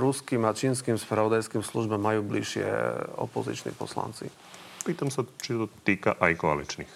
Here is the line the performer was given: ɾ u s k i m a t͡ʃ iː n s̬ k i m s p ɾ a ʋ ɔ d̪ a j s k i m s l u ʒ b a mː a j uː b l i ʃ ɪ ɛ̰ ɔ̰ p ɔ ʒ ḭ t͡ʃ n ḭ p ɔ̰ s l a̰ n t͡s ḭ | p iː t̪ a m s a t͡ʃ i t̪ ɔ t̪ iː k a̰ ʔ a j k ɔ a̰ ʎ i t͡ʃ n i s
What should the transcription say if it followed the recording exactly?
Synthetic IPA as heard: ɾ u s k i m a t͡ʃ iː n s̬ k i m s p ɾ a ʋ ɔ d̪ a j s k i m s l u ʒ b a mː a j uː b l i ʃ ɪ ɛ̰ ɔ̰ p ɔ z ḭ t͡ʃ n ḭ p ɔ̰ s l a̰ n t͡s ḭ | p iː t̪ a m s a t͡ʃ i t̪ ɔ t̪ iː k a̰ ʔ a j k ɔ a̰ l i t͡ʃ n i x